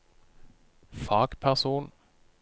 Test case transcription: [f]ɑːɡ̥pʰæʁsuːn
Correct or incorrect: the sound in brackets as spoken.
correct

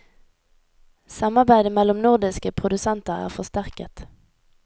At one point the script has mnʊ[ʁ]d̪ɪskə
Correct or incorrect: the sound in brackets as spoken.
correct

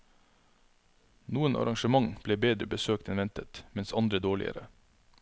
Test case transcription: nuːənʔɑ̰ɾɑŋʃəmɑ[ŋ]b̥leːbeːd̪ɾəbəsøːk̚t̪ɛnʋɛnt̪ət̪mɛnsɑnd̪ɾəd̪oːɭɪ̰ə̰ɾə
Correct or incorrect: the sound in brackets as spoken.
correct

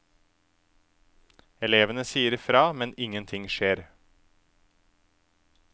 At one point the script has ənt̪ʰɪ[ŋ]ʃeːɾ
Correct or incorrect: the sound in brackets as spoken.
correct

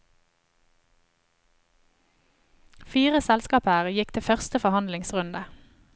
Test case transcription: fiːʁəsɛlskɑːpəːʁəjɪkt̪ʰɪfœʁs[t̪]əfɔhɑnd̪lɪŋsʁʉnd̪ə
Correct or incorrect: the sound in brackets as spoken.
correct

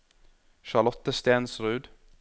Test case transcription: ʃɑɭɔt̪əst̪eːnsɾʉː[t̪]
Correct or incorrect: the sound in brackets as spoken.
incorrect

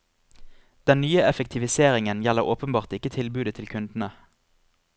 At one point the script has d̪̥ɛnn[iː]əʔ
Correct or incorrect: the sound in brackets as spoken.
incorrect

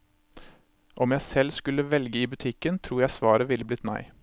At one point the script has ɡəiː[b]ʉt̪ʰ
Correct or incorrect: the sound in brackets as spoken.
correct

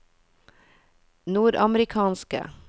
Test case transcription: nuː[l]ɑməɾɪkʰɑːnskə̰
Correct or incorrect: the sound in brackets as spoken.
incorrect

